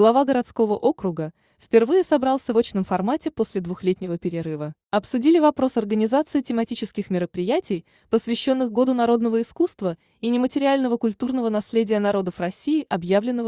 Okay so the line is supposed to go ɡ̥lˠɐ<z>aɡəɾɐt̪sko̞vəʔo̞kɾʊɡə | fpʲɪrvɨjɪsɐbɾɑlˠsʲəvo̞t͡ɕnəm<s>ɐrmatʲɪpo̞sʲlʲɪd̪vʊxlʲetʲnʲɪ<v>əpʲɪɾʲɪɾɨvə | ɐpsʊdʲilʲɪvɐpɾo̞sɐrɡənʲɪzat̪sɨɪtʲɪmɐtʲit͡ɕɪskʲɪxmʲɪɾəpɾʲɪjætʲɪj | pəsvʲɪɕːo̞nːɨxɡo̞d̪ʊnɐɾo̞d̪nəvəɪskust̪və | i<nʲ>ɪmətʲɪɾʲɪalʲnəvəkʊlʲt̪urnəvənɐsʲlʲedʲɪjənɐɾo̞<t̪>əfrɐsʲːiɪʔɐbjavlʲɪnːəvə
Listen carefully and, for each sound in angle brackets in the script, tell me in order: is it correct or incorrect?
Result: incorrect, incorrect, correct, correct, incorrect

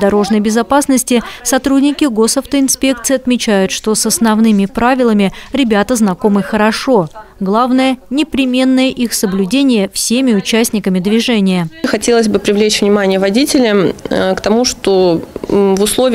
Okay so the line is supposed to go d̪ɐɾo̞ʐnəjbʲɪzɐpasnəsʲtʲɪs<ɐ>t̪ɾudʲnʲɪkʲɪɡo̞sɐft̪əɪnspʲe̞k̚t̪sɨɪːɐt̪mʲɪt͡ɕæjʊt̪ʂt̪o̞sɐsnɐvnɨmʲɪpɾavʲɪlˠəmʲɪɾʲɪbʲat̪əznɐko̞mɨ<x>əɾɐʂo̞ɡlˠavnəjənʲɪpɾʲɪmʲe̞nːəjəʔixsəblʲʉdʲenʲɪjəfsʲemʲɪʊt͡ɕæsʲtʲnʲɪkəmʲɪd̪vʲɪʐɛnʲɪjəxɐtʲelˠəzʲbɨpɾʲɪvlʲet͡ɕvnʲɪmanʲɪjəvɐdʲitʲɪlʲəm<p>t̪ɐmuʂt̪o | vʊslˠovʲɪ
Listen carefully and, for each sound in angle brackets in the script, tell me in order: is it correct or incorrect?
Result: correct, correct, incorrect

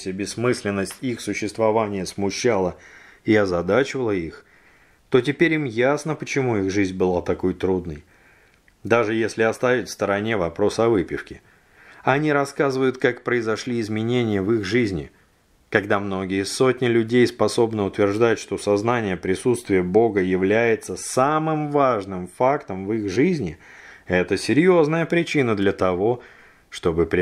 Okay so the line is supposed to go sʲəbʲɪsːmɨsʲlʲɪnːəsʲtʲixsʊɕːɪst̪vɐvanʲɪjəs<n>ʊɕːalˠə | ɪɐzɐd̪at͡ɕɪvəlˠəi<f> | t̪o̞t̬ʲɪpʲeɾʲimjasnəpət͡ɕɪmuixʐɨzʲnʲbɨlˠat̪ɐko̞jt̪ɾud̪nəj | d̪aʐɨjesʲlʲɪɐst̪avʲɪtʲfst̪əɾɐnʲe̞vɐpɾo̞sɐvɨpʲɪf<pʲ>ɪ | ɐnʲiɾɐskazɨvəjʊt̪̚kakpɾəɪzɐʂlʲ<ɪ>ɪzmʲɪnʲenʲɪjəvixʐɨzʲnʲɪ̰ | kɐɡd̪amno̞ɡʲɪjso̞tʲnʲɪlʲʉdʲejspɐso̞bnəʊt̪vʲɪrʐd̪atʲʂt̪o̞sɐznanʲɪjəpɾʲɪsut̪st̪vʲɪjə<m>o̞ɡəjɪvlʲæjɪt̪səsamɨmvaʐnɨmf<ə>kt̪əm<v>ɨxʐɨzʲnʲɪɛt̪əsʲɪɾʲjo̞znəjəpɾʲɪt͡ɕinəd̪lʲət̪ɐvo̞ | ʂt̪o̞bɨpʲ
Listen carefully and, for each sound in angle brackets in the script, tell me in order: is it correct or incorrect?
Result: incorrect, incorrect, incorrect, incorrect, incorrect, incorrect, correct

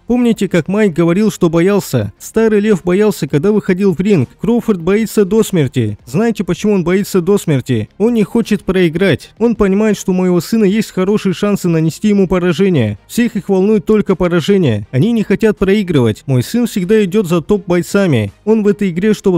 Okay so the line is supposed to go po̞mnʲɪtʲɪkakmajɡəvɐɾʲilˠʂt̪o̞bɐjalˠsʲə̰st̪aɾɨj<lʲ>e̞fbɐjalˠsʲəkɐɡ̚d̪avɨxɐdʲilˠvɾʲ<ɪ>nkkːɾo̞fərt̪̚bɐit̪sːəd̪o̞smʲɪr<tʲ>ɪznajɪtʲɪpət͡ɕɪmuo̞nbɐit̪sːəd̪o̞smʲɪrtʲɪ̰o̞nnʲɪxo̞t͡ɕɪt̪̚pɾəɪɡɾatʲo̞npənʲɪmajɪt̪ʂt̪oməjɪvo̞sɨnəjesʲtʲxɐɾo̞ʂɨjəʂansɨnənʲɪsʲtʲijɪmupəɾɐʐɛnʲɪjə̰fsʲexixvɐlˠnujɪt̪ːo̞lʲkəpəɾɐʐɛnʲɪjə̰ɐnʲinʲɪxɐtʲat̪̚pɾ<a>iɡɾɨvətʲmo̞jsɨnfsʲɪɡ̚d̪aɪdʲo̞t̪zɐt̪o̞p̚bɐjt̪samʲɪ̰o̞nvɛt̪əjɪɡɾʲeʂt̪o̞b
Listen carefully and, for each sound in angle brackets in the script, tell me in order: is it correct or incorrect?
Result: correct, incorrect, correct, incorrect

